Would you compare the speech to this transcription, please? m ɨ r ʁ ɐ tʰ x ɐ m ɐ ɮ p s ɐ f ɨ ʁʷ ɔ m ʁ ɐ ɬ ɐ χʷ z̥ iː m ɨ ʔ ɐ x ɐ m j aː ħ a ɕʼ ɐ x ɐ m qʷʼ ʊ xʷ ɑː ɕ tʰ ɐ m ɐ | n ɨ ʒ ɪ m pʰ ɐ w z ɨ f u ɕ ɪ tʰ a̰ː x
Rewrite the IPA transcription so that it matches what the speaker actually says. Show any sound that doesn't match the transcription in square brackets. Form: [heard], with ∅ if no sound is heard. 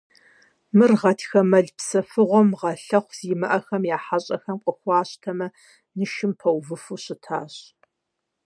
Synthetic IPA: m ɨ r ʁ ɐ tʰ x ɐ m ɐ ɮ p s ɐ f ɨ ʁʷ ɔ m ʁ ɐ ɬ ɐ χʷ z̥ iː m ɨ ʔ ɐ x ɐ m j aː ħ a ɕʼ ɐ x ɐ m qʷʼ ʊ xʷ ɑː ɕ tʰ ɐ m ɐ | n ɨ [ʃ] ɪ m pʰ ɐ w [v] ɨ f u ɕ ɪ tʰ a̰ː [ɕ]